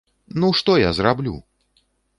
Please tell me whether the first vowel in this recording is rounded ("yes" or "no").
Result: yes